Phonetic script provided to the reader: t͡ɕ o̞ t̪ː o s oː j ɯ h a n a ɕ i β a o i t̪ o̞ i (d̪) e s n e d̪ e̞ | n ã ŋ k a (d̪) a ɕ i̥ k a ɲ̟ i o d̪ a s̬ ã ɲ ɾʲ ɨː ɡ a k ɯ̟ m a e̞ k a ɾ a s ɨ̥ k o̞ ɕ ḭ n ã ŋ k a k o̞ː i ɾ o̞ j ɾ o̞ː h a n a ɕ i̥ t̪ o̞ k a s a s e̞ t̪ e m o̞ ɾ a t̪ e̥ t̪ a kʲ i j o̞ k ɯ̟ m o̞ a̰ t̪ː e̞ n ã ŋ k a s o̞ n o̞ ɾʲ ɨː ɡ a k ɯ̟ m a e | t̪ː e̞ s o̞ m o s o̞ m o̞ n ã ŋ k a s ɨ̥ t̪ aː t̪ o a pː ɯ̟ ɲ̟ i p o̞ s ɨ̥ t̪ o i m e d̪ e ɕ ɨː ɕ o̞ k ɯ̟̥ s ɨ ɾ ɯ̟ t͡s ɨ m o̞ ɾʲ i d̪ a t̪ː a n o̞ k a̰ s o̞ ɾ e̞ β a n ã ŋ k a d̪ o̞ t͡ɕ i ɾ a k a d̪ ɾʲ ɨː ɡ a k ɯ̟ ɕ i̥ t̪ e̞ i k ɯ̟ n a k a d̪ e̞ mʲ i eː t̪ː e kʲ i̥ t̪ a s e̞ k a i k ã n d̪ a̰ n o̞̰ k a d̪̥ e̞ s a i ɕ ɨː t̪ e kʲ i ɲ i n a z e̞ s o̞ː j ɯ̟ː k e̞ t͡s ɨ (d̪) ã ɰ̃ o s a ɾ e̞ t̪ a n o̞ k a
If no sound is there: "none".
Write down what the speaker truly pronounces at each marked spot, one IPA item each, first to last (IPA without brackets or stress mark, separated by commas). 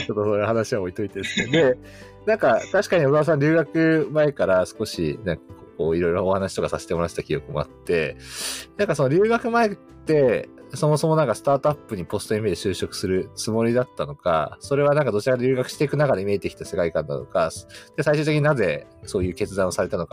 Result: t̪, t̪, d̪